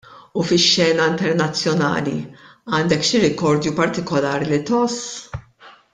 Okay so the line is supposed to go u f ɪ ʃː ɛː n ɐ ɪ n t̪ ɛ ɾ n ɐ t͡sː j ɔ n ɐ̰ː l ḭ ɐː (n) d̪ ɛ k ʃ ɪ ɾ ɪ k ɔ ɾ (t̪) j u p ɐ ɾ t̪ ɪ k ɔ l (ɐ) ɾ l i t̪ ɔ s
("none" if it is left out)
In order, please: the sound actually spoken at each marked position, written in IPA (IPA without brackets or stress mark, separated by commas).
n, d̪, ɐː